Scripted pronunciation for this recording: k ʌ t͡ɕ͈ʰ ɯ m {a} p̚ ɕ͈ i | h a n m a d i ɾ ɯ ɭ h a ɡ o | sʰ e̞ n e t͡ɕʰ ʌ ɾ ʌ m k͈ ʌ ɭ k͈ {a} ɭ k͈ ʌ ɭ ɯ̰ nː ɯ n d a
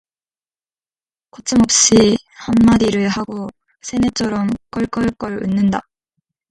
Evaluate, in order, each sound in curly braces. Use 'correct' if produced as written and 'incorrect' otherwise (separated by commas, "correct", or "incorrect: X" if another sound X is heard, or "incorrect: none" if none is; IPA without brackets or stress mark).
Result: incorrect: ʌ, incorrect: ʌ